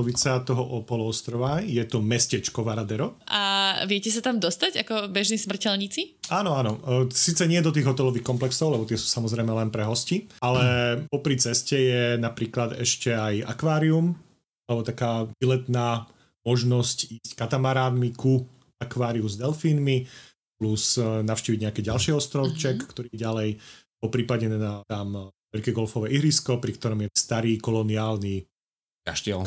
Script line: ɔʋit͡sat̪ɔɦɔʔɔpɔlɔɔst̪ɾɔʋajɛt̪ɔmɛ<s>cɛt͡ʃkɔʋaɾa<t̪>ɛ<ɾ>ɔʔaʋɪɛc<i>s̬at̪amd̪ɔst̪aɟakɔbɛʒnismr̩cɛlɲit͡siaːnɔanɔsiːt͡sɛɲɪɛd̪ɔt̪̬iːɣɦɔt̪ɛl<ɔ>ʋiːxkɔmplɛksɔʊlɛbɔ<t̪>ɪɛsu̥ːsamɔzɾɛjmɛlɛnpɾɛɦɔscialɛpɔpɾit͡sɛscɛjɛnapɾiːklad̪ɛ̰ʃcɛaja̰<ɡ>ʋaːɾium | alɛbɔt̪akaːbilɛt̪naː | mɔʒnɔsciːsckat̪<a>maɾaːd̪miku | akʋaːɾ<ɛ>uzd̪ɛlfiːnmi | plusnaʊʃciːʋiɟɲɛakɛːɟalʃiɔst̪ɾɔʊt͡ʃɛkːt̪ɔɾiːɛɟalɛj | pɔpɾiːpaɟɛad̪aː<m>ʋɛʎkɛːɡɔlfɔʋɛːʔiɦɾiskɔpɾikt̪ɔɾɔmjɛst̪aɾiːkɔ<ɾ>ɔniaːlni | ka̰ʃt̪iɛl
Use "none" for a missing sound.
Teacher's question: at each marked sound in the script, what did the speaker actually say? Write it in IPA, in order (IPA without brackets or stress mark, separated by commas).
s, d̪, ɾ, ɛ, ɔ, t̪, k, a, i, m, l